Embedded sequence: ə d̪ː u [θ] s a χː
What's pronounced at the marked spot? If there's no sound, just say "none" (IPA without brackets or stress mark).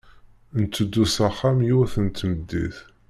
none